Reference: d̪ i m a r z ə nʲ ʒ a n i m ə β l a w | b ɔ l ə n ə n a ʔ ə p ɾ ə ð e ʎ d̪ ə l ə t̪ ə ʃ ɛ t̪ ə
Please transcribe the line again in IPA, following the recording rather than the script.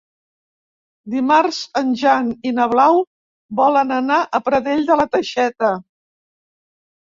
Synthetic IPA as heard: d̪ i m a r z ə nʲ ʒ a n i n ə β l a w | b ɔ l ə n ə n a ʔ ə p ɾ ə ð e ʎ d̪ ə l ə t̪ ə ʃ ɛ t̪ ə